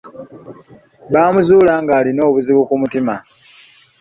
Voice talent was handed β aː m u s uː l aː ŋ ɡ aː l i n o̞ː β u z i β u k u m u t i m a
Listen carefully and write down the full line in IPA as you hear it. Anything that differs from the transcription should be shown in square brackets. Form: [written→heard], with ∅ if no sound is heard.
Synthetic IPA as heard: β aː m u [s→z] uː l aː ŋ ɡ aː l i n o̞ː β u z i β u k u m u t i m a